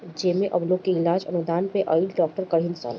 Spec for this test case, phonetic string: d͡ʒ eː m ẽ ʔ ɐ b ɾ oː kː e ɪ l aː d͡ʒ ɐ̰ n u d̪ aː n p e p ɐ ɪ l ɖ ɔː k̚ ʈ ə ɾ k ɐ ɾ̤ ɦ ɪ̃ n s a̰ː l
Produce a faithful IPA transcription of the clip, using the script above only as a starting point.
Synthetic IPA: d͡ʒ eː m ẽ ʔ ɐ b l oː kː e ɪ l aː d͡ʒ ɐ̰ n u d̪ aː n p e ʔ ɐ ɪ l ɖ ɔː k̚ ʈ ə ɾ k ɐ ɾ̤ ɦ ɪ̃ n s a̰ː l

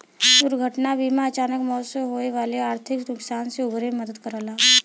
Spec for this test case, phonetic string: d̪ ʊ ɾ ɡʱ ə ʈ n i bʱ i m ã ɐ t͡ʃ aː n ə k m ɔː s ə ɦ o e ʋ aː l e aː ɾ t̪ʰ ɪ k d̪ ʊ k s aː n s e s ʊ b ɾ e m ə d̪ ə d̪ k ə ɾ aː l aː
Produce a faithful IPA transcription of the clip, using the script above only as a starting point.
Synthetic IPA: d̪ ʊ ɾ ɡʱ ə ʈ n a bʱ i m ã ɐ t͡ʃ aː n ə k m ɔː s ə ɦ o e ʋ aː l e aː ɾ t̪ʰ ɪ k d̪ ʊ k s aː n s e ʊ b ɾ e m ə d̪ ə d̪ k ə ɾ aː l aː

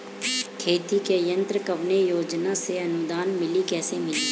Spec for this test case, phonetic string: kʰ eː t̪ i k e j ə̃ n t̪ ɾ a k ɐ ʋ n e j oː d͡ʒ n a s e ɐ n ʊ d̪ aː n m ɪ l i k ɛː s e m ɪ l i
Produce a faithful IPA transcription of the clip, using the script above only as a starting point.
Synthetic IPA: kʰ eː t̪ i k e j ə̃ n t̪ ɾ ə k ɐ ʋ n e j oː d͡ʒ n a s e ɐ n ʊ d̪ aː n m ɪ l i k ɛː s e m ɪ l i

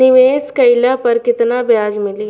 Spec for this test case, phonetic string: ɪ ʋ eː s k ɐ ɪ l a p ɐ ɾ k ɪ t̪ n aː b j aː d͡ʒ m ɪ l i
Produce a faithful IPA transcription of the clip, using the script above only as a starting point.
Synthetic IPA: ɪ ʋ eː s k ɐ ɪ l a p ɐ ɾ k ɪ t̪ n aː b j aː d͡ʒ m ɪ l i

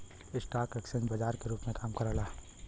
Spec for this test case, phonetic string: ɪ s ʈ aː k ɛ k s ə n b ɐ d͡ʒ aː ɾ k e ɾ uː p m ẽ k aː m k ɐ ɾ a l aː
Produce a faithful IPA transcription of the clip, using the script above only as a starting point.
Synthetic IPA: ɪ s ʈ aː k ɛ k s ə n b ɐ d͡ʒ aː ɾ k e ɾ uː p m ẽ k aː m k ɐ ɾ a l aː

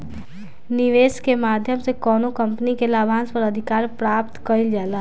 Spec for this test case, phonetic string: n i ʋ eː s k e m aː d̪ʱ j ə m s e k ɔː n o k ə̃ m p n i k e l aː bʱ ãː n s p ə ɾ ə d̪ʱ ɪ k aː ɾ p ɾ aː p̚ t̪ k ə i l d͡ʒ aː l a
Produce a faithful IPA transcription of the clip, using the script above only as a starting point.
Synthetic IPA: n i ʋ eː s k e m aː d̪ʱ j ə m s e k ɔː n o k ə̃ m p n i k e l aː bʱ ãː n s p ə ɾ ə d̪ʱ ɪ k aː ɾ p ɾ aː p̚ t̪ k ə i l d͡ʒ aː l a

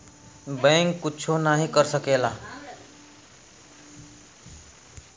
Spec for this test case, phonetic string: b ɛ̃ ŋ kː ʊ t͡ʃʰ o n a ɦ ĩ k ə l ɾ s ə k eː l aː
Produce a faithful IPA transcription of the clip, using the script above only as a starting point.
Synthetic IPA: b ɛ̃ ŋ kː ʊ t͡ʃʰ o n a ɦ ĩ k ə ɾ s ə k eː l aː

